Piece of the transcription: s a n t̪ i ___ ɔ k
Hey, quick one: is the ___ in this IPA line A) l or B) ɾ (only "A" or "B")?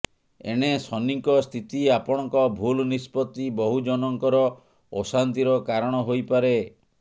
B